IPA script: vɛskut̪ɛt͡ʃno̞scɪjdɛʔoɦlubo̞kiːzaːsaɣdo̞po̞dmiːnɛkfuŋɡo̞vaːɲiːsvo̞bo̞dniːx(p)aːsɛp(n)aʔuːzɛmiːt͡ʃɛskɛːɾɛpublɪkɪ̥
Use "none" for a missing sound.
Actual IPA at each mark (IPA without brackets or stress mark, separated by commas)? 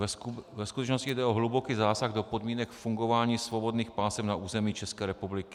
p, n